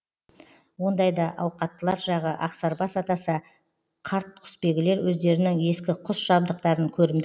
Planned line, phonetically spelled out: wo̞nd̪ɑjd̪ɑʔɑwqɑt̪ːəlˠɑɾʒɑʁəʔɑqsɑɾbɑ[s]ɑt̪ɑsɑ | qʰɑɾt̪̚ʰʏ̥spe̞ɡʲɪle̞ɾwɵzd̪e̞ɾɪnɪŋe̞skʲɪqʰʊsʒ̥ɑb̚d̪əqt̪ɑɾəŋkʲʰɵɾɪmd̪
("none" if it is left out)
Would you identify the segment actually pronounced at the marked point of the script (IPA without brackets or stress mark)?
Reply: s